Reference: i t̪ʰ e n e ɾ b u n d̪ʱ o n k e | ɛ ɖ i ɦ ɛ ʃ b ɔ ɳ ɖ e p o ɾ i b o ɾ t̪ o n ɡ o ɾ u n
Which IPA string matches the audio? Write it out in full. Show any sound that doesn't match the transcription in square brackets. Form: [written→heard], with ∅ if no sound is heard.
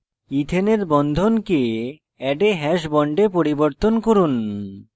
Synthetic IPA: i t̪ʰ e n e ɾ b [u→ɔ] n d̪ʱ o n k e | ɛ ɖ [i→e] ɦ ɛ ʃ b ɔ ɳ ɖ e p o ɾ i b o ɾ t̪ o n [ɡ→k] o ɾ u n